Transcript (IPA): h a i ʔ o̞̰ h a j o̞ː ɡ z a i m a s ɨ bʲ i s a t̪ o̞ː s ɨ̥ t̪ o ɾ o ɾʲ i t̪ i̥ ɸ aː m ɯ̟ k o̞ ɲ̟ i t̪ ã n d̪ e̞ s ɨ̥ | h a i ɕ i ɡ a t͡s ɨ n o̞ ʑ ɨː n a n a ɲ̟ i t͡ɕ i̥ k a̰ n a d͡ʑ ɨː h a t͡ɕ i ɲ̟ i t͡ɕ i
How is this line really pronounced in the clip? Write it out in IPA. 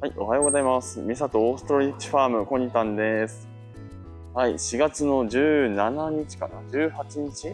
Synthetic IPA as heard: h a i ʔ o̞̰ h a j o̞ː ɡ z a i m a s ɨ mʲ i s a t̪ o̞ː s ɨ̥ t̪ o ɾ o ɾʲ i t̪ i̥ ɸ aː m ɯ̟ k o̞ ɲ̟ i t̪ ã n d̪ e̞ s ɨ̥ | h a i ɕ i ɡ a t͡s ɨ n o̞ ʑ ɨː n a n a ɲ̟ i t͡ɕ i̥ k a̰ n a d͡ʑ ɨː h a t͡ɕ i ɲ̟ i t͡ɕ i